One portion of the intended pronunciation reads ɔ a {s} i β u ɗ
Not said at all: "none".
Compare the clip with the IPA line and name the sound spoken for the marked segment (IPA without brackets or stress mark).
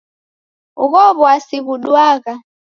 s